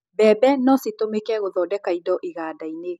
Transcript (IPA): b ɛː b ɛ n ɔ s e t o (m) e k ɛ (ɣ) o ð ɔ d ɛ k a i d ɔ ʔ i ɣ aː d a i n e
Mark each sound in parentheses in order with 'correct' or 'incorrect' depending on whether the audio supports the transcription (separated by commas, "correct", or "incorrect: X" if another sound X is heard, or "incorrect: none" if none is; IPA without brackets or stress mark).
correct, correct